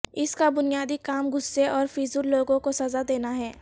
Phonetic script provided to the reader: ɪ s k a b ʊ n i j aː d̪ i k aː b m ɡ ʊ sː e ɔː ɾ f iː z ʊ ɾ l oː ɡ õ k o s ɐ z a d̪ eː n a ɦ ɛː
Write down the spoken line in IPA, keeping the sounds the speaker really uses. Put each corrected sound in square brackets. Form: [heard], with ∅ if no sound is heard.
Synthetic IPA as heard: ɪ s k a b ʊ n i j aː d̪ i k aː [∅] m ɡ ʊ sː e ɔː ɾ f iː z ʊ ɾ l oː ɡ õ k o s ɐ z a d̪ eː n a ɦ ɛː